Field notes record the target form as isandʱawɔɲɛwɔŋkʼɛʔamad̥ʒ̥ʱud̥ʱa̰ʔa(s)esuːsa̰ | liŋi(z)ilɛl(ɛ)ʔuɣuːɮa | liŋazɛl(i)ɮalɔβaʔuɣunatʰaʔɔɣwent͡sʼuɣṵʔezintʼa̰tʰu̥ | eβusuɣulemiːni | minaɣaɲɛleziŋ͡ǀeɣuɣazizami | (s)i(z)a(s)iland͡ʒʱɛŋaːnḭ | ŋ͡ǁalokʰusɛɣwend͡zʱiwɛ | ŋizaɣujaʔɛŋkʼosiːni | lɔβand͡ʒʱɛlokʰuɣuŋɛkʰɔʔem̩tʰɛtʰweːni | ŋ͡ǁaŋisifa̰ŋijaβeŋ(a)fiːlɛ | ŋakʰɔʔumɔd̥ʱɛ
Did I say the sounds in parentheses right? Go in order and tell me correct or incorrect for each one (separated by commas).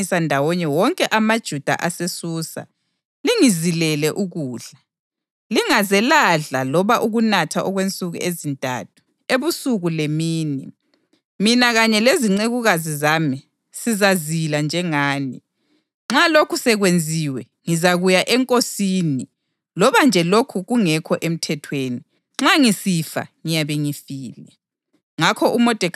correct, correct, correct, incorrect, correct, correct, incorrect, incorrect